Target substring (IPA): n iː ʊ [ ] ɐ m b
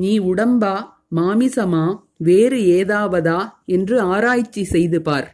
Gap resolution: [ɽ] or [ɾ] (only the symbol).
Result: ɽ